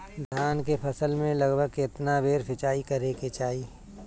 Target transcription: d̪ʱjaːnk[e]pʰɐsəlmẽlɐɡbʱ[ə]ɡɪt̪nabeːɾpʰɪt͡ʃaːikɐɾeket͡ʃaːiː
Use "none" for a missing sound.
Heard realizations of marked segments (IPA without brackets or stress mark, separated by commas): e, ə